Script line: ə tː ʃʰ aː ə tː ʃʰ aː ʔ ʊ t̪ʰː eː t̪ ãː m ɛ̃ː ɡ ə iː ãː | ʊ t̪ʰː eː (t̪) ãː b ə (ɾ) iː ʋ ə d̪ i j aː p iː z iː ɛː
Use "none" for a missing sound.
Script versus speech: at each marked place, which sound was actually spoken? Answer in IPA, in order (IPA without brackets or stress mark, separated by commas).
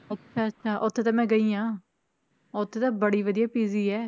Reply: t̪, ɽ